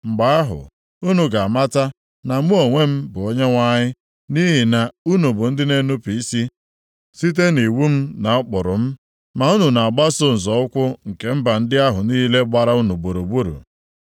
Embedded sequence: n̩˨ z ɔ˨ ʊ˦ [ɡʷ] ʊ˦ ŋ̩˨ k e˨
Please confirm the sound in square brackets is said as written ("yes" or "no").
no